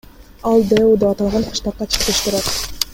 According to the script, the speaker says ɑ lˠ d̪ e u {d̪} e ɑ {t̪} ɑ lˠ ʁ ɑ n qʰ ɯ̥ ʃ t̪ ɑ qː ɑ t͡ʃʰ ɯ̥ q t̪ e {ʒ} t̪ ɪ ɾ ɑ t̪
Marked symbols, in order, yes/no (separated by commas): yes, yes, no